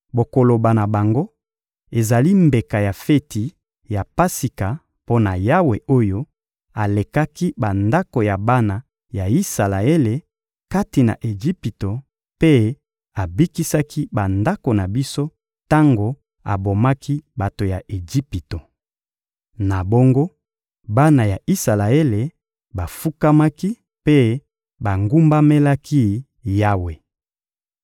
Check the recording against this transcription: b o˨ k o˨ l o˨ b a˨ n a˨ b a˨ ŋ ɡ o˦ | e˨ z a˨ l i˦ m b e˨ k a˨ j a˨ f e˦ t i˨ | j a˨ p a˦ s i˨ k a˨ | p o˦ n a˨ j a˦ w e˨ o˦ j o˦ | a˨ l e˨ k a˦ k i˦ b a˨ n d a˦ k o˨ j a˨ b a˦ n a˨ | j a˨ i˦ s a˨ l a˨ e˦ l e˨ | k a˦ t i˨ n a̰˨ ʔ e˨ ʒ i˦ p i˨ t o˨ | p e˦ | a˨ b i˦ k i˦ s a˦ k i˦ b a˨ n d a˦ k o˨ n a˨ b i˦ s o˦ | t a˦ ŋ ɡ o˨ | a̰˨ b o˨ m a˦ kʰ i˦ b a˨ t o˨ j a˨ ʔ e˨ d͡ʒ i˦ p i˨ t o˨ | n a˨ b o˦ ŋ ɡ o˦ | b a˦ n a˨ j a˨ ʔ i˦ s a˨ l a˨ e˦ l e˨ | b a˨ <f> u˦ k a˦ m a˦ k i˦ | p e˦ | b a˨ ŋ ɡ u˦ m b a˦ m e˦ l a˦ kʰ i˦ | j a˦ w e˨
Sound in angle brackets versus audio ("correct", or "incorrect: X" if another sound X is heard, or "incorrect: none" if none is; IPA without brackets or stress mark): correct